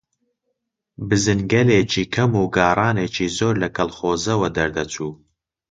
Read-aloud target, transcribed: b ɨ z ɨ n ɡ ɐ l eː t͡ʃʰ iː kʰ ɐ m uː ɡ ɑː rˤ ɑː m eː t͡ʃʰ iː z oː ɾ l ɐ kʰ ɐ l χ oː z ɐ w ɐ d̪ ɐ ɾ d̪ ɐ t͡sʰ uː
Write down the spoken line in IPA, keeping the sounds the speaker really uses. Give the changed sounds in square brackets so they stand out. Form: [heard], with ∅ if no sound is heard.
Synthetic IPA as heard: b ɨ z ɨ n ɡ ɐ l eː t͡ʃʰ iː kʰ ɐ m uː ɡ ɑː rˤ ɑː [n] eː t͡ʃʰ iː z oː ɾ l ɐ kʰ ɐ l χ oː z ɐ w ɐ d̪ ɐ ɾ d̪ ɐ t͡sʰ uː